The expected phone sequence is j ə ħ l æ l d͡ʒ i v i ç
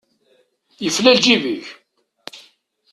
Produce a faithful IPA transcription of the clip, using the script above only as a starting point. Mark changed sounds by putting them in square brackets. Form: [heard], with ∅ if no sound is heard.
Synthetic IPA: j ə [f] l æ l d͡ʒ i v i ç

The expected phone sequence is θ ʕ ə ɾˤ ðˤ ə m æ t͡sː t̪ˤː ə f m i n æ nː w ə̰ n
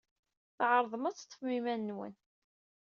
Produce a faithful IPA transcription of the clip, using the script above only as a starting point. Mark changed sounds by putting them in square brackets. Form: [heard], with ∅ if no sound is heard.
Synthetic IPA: θ ʕ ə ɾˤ ðˤ ə m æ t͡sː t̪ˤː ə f m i [m] æ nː w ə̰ n

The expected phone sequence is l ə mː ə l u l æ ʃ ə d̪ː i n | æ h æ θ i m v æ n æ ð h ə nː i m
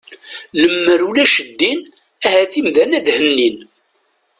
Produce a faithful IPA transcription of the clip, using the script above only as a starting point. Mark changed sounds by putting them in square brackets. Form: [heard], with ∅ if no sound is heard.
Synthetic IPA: l ə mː ə [ɾ] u l æ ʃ ə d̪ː i n | æ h æ θ i m [ð] æ n æ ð h ə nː i [n]

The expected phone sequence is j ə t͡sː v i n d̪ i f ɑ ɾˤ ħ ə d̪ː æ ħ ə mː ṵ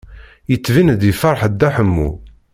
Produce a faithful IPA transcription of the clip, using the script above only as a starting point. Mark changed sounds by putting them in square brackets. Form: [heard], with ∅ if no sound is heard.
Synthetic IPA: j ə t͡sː v i n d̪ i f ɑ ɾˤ ħ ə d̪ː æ ħ ə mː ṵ

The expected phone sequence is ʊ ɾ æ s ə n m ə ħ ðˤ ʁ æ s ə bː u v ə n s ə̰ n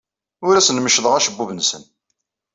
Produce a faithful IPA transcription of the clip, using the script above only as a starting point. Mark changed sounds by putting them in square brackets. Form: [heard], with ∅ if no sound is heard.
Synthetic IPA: ʊ ɾ æ s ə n m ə [ʃ] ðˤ ʁ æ [ʃ] ə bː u v ə n s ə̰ n

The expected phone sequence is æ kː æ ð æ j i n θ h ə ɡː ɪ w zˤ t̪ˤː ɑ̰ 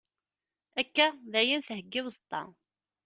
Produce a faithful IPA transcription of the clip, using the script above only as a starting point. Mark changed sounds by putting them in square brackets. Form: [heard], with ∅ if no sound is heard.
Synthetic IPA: æ kː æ ð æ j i n θ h ə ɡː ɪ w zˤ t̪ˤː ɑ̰

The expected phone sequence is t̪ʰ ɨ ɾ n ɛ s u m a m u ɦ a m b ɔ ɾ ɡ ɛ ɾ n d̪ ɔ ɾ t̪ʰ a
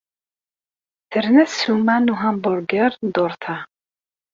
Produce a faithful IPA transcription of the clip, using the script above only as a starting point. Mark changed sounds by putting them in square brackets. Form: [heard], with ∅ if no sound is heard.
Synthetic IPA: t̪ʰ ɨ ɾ n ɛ s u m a [n] u ɦ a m b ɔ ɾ ɡ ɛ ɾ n d̪ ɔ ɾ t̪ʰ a

